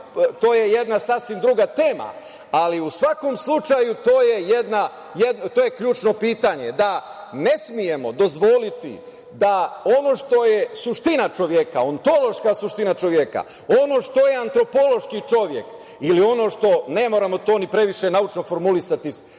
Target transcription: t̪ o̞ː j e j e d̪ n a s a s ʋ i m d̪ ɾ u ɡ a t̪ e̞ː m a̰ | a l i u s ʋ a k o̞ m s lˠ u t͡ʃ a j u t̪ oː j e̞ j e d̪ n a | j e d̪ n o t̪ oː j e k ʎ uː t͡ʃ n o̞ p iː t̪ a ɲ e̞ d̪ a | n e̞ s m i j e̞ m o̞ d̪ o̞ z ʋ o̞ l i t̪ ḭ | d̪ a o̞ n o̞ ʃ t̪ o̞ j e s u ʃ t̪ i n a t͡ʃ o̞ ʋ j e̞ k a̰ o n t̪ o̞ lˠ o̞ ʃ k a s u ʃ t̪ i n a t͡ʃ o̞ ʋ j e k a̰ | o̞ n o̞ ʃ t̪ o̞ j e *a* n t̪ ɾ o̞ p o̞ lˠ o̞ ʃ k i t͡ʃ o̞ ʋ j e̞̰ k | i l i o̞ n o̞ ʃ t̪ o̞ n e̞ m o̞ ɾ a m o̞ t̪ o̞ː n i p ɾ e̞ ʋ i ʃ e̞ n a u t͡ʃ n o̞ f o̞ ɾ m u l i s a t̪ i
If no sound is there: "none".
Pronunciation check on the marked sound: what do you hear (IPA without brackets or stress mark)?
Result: a